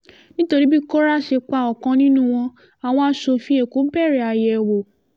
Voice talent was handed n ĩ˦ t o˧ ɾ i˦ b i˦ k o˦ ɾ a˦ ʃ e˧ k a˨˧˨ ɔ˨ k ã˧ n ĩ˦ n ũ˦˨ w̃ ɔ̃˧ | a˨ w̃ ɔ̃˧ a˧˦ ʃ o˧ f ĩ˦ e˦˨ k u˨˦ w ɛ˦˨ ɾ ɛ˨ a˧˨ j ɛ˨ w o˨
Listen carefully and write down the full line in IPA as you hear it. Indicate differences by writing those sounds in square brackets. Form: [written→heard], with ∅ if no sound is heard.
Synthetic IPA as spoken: n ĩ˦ t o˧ ɾ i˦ b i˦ k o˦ ɾ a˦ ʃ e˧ [k→k͡p] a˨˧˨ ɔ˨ k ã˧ n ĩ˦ n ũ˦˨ w̃ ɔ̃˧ | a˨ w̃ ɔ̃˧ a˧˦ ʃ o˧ f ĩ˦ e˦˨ k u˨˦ [w→b] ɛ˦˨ ɾ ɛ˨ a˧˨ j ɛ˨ w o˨